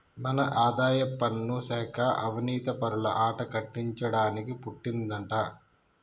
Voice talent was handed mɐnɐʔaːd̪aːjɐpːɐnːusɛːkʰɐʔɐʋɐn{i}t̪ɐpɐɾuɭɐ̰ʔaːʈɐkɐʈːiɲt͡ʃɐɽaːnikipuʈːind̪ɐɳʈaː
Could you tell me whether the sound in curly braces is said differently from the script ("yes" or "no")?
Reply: yes